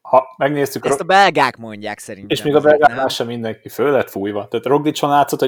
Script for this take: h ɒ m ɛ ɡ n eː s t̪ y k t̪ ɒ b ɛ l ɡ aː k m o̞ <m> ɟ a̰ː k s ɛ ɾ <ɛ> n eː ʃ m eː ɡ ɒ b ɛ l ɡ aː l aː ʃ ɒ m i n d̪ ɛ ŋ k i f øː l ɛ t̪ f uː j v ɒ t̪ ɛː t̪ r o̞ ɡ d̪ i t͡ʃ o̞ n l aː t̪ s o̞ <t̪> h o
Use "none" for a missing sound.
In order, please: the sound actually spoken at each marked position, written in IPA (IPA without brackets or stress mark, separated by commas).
ɲ, i, t̪